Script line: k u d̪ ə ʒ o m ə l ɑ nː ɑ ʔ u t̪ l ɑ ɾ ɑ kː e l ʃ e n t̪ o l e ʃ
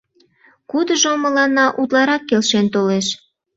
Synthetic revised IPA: k u d̪ ə ʒ o m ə l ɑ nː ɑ ʔ u t̪ l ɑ ɾ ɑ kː e l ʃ e n t̪ o l e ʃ